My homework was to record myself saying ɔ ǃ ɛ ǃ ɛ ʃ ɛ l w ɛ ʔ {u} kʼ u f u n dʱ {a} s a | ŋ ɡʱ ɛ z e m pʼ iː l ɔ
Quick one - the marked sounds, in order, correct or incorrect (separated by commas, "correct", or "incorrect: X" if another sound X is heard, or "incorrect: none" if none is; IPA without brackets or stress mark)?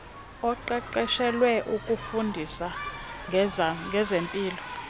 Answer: correct, incorrect: i